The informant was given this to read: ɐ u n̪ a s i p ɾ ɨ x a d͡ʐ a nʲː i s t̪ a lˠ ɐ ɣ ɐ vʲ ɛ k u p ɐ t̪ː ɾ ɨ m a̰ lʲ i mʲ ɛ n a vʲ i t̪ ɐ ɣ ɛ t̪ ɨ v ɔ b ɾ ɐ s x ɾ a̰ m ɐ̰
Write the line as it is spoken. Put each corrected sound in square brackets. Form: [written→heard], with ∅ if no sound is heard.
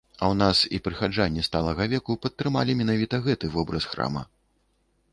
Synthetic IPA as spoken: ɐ [u→w] n̪ a s i p ɾ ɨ x a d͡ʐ a nʲː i s t̪ a lˠ ɐ ɣ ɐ vʲ ɛ k u p ɐ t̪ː ɾ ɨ m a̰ lʲ i mʲ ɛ n a vʲ i t̪ ɐ ɣ ɛ t̪ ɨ v ɔ b ɾ ɐ s x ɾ a̰ m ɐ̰

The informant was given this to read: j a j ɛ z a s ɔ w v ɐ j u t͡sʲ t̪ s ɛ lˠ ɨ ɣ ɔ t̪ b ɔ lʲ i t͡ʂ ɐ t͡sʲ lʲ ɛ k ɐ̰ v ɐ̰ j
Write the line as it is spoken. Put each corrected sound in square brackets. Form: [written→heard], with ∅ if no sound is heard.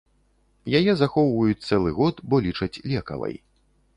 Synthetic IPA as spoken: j a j ɛ z a [s→x] ɔ w v ɐ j u t͡sʲ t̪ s ɛ lˠ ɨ ɣ ɔ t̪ b ɔ lʲ i t͡ʂ ɐ t͡sʲ lʲ ɛ k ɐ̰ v ɐ̰ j

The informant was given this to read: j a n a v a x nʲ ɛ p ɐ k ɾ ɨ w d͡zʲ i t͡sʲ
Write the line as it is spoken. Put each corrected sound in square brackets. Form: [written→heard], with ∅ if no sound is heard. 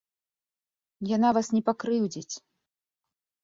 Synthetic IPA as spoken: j a n a v a [x→s] nʲ ɛ p [ɐ→a] k ɾ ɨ w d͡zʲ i t͡sʲ

